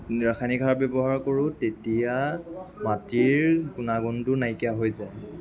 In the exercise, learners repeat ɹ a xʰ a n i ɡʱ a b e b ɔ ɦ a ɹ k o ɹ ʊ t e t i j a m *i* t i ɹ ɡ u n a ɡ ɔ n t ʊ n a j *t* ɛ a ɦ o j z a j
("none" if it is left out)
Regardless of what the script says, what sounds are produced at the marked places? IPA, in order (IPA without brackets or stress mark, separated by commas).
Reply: a, k